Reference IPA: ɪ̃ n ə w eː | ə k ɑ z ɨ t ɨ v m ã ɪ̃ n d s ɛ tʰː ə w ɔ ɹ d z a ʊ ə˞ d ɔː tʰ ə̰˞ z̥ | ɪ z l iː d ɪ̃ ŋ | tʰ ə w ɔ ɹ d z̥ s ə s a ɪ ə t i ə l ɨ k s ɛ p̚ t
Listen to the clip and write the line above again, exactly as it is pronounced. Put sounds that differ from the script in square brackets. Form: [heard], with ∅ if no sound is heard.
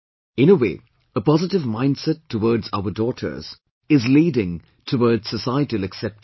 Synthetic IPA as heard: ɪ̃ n ə w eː | ə [p] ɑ z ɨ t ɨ v m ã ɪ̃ n d s ɛ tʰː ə w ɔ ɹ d z a ʊ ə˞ d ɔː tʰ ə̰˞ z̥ | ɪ z l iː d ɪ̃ ŋ | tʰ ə w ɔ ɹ d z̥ s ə s a ɪ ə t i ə l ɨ k s ɛ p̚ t